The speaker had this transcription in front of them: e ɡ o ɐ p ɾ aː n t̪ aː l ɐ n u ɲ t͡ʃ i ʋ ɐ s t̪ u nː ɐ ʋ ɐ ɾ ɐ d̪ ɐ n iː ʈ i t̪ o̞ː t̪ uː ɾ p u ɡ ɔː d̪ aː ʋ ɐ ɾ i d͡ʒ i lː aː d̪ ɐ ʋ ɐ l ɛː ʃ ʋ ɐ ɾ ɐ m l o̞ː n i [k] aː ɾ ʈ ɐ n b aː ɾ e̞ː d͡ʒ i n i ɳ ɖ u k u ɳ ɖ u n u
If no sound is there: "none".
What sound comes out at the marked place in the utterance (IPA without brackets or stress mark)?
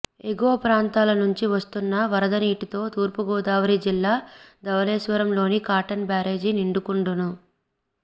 k